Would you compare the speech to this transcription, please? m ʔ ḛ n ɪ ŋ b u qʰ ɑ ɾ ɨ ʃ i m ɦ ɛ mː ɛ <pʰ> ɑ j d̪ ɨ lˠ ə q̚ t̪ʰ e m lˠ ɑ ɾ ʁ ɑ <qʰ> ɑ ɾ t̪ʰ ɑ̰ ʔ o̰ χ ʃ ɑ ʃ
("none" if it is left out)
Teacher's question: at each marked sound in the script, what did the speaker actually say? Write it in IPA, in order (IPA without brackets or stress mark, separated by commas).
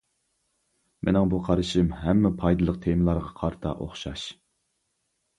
pʰ, qʰ